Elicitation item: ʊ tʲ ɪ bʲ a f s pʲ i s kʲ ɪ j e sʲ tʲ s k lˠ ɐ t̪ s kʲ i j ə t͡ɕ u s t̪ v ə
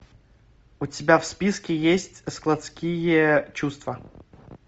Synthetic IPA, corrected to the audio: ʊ tʲ ɪ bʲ a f s pʲ i s kʲ ɪ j e sʲ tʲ s k lˠ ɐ t̪ s kʲ i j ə t͡ɕ u s t̪ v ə